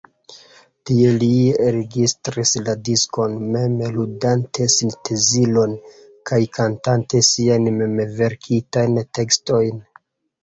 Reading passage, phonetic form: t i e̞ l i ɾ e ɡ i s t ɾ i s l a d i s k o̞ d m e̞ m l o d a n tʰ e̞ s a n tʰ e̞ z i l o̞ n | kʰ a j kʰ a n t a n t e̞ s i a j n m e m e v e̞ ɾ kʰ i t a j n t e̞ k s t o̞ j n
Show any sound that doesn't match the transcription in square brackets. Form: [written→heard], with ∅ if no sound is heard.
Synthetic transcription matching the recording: t i e̞ l i ɾ e ɡ i s t ɾ i s l a d i s k o̞ [d→n] m e̞ m l [o→u] d a n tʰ e̞ s [a→i] n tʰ e̞ z i l o̞ n | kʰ a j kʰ a n t a n t e̞ s i a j n m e m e v e̞ ɾ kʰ i t a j n t e̞ k s t o̞ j n